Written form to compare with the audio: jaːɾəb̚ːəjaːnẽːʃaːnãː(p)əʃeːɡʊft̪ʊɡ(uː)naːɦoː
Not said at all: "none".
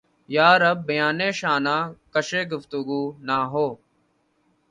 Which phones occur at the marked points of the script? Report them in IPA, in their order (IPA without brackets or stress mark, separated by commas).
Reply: k, uː